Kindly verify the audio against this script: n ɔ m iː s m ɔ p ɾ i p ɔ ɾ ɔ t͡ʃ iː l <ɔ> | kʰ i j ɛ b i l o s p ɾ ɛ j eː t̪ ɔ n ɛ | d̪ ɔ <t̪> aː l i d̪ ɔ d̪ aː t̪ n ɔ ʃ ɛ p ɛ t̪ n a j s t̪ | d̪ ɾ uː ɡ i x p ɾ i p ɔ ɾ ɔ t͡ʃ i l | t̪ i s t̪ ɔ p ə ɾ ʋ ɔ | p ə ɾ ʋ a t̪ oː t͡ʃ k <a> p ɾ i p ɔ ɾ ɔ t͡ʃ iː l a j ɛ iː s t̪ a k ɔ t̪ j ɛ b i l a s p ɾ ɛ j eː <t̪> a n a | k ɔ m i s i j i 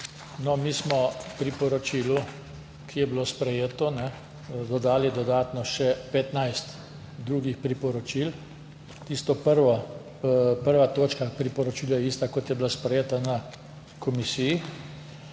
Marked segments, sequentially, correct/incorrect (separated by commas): incorrect, incorrect, correct, correct